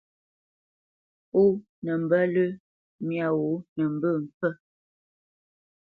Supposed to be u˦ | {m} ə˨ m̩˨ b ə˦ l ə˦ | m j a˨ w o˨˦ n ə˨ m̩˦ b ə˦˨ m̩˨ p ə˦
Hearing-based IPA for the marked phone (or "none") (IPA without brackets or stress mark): n